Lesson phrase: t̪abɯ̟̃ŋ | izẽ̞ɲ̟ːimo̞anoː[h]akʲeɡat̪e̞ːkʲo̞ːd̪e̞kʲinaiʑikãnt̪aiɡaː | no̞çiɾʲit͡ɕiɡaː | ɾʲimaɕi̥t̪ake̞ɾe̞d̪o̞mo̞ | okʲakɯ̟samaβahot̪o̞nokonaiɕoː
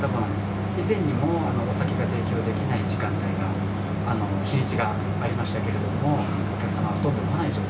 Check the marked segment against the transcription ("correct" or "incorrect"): incorrect